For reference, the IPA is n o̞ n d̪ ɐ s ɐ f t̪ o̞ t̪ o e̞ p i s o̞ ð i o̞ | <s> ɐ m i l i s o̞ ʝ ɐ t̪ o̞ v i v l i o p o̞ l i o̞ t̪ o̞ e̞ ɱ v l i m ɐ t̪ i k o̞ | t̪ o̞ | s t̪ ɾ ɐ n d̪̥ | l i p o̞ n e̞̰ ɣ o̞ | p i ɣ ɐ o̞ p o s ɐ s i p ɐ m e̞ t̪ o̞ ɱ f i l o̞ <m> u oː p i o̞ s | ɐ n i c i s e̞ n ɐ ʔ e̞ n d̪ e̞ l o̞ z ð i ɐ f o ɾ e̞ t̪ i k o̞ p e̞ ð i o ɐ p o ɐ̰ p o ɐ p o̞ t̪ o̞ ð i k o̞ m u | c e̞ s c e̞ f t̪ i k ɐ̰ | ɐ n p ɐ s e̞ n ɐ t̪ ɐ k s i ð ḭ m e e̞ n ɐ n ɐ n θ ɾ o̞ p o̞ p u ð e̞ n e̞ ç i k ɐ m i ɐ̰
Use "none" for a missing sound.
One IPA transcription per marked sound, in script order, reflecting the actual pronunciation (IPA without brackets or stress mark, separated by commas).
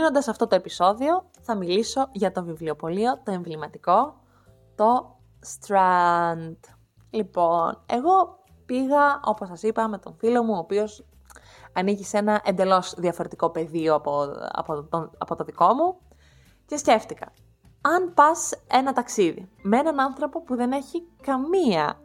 θ, m